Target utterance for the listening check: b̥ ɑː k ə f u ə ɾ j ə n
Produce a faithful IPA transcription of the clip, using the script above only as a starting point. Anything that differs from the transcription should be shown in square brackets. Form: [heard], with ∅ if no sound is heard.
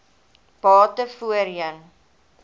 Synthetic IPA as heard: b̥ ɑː [t] ə f u ə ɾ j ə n